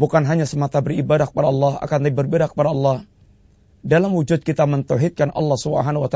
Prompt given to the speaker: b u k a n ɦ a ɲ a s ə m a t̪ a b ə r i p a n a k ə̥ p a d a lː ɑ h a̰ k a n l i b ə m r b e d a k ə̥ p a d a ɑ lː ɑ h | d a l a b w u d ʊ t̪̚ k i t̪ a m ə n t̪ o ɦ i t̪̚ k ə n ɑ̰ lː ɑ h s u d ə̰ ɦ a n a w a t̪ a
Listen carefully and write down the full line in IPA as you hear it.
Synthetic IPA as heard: b u k a n ɦ a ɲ a s ə m a t̪ a b ə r i b a d a k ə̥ p a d a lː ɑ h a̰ k a n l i b ə r b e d a k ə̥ p a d a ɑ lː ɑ h | d a l a m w u d͡ʒ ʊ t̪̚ k i t̪ a m ə n t̪ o ɦ i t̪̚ k a n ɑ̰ lː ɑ h s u b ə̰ ɦ a n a w a t̪ a